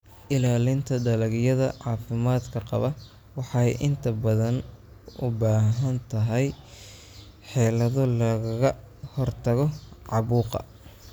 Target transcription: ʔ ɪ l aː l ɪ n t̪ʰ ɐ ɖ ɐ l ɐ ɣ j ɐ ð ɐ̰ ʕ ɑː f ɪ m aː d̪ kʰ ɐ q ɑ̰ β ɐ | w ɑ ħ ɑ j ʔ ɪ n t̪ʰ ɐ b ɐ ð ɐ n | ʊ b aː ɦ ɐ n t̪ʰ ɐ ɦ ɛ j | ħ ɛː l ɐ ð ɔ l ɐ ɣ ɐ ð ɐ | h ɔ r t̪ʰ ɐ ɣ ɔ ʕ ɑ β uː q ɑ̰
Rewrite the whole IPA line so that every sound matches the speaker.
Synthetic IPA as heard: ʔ ɪ l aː l ɪ n t̪ʰ ɐ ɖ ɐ l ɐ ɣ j ɐ ð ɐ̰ ʕ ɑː f ɪ m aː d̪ kʰ ɐ q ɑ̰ β ɐ | w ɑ ħ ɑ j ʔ ɪ n t̪ʰ ɐ b ɐ ð ɐ n | ʊ b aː ɦ ɐ n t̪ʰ ɐ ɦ ɛ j | ħ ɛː l ɐ ð ɔ l ɐ ɣ ɐ ɣ ɐ | h ɔ r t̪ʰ ɐ ɣ ɔ ʕ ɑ β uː q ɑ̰